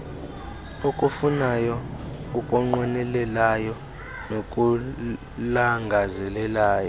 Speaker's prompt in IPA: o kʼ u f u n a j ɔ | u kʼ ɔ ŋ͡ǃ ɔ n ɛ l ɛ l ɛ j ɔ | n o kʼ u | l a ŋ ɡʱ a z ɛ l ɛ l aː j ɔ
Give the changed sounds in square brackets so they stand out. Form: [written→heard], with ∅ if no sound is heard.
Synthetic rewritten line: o kʼ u f u n a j ɔ | u kʼ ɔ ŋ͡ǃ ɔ n ɛ l ɛ l [ɛ→a] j ɔ | n o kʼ u | l a ŋ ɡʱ a z ɛ l ɛ l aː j ɔ

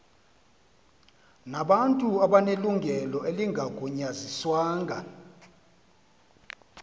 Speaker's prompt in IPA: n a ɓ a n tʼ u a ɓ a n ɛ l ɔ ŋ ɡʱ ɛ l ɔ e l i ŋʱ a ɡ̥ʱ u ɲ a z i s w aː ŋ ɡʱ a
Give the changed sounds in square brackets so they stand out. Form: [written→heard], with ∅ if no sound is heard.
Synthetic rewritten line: n a ɓ a n tʼ u a ɓ a n [ɛ→e] l [ɔ→u] ŋ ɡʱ ɛ l ɔ e l i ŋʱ a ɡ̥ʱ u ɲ a z i s w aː ŋ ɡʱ a

